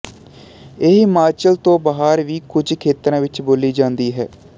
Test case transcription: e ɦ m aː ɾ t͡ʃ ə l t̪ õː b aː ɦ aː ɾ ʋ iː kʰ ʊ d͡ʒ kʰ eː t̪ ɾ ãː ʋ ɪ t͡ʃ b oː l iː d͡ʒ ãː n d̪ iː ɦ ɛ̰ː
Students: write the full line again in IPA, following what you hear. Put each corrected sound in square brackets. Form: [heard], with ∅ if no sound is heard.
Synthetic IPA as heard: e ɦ m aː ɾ t͡ʃ ə l t̪ õː b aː ɦ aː ɾ ʋ iː [k] ʊ d͡ʒ kʰ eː t̪ ɾ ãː ʋ ɪ t͡ʃ b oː l iː d͡ʒ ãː n d̪ iː ɦ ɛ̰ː